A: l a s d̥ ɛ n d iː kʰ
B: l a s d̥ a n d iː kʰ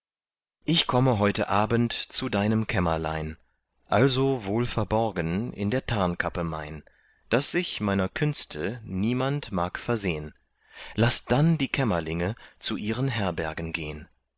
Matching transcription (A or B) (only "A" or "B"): B